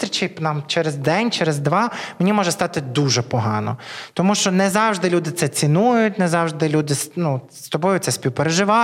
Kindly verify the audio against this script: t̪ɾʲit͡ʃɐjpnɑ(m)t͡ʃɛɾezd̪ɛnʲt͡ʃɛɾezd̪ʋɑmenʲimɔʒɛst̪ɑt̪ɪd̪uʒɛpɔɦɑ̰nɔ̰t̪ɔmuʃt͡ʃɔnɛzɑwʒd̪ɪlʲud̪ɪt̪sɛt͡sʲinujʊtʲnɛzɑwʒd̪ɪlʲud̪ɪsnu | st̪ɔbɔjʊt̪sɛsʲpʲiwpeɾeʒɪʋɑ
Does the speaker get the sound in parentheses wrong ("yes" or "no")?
no